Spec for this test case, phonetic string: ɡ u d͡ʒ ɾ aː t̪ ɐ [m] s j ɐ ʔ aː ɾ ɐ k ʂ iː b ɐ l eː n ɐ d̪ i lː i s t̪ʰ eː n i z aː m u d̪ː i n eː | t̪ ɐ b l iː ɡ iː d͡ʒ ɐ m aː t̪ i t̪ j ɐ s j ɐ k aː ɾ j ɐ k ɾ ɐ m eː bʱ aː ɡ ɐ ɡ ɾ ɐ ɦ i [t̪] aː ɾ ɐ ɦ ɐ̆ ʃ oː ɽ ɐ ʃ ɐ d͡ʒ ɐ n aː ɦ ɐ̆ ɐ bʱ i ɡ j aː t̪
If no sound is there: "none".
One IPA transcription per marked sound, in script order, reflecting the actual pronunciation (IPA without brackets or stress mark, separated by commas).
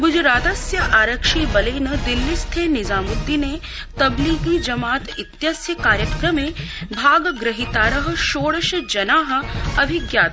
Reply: none, t̪